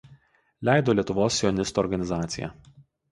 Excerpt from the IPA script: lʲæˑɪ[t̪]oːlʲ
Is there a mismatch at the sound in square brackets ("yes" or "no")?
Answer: yes